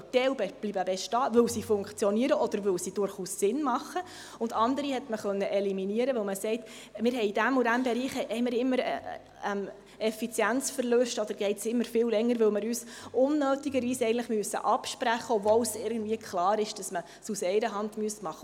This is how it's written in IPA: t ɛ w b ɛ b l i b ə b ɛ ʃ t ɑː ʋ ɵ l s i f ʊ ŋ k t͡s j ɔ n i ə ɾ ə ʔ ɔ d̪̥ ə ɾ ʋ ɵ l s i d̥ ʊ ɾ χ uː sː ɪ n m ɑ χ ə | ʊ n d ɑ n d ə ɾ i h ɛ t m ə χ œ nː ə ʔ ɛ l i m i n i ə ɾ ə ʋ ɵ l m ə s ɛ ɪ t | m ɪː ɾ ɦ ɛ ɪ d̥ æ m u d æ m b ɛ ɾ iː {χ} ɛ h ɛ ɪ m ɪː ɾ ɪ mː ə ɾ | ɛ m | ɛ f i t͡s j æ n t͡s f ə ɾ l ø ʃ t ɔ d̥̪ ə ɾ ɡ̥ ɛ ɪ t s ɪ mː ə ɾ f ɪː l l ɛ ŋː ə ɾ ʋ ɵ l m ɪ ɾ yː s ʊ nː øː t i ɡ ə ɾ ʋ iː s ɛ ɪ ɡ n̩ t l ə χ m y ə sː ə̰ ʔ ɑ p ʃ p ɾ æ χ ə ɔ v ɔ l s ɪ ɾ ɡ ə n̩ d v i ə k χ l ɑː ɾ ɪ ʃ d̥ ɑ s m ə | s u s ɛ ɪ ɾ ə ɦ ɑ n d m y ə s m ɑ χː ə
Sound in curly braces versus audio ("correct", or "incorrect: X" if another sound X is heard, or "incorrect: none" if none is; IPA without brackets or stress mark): correct